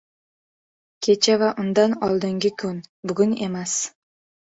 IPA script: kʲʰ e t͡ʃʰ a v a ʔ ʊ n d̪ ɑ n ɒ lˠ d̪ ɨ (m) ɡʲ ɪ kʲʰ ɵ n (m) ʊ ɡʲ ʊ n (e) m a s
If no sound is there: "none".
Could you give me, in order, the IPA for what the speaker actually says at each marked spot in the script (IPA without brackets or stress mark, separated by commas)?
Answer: ŋ, b, e